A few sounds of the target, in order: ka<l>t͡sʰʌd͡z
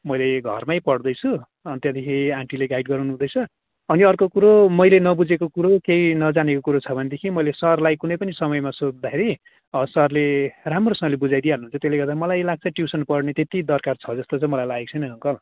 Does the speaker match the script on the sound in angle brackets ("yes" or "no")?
no